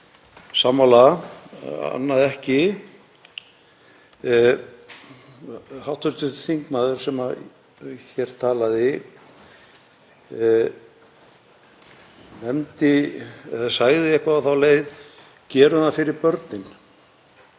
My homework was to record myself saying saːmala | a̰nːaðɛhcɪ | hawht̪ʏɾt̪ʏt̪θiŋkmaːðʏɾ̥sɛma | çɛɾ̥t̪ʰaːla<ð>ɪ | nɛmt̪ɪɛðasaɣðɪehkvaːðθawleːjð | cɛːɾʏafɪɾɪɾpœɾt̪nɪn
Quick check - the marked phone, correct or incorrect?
correct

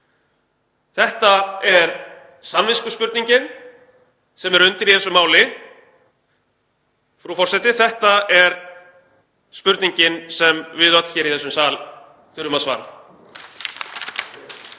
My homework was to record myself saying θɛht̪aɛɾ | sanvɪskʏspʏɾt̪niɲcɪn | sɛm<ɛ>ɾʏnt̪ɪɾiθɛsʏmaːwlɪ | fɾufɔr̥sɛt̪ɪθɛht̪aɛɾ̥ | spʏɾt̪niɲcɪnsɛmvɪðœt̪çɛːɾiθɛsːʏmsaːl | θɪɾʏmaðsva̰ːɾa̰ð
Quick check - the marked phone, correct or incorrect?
correct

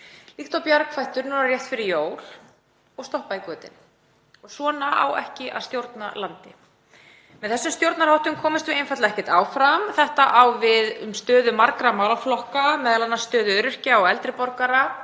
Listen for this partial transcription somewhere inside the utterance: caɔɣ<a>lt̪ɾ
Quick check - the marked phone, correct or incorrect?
incorrect: ɛ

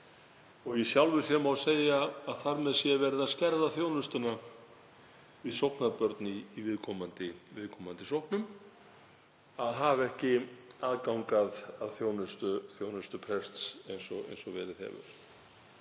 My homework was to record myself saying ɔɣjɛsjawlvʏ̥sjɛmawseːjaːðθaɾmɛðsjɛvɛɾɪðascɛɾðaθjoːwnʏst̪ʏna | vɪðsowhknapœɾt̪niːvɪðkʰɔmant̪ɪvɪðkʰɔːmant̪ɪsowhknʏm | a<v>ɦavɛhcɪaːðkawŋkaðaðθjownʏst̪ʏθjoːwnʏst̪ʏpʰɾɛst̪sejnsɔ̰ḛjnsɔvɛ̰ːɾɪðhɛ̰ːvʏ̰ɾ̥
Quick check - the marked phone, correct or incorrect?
incorrect: ð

